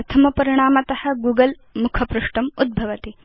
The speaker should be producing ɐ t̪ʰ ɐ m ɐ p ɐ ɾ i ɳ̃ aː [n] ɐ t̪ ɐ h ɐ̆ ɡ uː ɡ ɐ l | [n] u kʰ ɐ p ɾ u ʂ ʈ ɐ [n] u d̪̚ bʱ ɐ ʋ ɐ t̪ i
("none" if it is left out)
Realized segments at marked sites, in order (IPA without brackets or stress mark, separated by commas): m, m, m